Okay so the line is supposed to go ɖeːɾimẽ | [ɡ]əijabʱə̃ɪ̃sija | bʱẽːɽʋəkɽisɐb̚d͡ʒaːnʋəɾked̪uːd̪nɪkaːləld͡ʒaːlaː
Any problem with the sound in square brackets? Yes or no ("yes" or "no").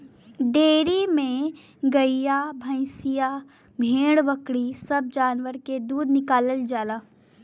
no